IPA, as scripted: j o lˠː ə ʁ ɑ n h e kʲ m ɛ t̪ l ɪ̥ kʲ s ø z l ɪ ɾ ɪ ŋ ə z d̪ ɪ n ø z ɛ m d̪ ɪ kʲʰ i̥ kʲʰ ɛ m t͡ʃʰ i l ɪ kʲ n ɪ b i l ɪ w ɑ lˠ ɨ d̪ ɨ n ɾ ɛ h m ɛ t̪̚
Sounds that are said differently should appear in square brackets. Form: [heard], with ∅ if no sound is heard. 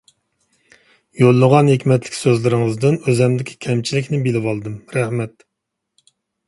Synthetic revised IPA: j o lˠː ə ʁ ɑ n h e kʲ m ɛ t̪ l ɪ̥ kʲ s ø z l ɪ ɾ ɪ ŋ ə z d̪ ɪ n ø z ɛ m d̪ ɪ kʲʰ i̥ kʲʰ ɛ m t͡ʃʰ i l ɪ kʲ n ɪ b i l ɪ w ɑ lˠ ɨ d̪ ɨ [m] ɾ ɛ h m ɛ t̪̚